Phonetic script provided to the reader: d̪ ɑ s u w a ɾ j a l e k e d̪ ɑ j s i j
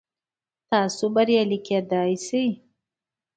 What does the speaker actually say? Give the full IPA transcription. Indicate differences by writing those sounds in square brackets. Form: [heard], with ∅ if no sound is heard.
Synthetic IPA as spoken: [t̪] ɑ s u [b] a ɾ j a l [i] k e d̪ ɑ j s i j